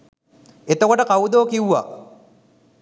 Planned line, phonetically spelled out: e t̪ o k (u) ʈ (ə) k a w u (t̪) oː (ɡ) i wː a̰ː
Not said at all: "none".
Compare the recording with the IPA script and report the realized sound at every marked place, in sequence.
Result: o, ə, d̪, k

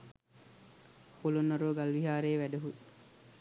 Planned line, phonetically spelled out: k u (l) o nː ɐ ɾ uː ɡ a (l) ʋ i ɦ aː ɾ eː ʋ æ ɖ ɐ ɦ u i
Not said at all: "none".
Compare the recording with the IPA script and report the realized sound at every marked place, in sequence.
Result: l, l

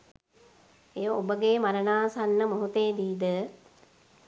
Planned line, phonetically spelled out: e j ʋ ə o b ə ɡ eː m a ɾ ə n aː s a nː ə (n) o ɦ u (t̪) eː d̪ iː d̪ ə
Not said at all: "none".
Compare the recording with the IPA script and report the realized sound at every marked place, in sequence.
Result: m, t̪

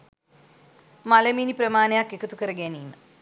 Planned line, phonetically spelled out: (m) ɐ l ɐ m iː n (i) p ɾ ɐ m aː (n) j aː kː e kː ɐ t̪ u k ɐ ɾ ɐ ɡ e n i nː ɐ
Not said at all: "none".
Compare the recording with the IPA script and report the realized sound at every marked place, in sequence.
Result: m, i, n

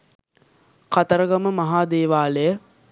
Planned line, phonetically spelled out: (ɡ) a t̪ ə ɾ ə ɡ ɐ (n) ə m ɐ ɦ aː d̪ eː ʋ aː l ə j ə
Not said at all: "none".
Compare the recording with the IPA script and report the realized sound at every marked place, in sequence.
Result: k, m

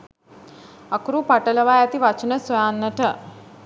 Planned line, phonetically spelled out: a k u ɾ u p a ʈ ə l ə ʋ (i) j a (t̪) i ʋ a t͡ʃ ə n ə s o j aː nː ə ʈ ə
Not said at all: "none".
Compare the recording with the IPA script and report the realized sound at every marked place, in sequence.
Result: a, t̪

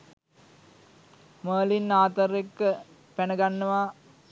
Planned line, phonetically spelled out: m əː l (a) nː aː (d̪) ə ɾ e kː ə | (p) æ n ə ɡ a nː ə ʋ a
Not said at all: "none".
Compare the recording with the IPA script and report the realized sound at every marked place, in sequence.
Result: i, t̪, p

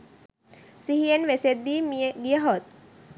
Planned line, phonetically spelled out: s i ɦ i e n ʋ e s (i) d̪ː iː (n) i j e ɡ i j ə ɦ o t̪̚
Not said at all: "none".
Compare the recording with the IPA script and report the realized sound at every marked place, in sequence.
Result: e, m

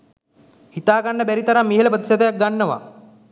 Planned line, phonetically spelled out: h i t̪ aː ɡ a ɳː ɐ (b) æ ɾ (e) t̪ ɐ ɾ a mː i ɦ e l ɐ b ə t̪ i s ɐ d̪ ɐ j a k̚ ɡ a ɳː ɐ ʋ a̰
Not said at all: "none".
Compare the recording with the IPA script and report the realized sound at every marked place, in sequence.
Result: b, i

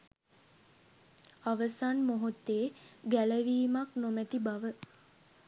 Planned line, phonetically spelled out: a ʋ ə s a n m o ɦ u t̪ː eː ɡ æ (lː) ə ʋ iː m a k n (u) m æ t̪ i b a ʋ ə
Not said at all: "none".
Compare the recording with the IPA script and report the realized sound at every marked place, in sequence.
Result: l, o

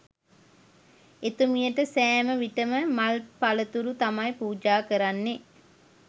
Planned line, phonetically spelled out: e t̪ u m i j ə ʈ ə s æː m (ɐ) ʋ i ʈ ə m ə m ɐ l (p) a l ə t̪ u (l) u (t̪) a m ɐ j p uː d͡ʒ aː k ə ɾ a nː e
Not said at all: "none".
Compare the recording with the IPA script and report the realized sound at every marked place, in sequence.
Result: ə, p, ɾ, t̪

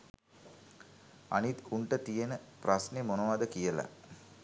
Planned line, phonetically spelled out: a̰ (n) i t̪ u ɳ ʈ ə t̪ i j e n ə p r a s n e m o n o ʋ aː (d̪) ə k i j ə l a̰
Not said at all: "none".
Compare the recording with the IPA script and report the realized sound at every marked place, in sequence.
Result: n, d̪

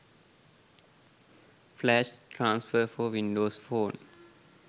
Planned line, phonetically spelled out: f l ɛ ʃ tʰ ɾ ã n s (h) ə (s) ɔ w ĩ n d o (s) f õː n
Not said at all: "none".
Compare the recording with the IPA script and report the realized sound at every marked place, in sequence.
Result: f, f, s

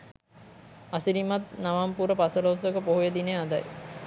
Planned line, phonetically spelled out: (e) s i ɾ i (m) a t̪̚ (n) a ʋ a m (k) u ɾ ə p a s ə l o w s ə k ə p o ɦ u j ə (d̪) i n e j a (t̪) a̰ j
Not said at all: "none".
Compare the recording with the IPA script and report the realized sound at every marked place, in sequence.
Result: a, m, n, p, d̪, d̪

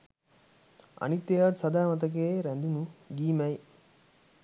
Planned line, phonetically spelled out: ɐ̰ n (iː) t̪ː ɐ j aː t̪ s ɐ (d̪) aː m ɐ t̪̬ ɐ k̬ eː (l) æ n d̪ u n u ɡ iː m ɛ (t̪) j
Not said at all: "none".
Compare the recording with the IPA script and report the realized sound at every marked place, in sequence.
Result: i, d̪, ɾ, none

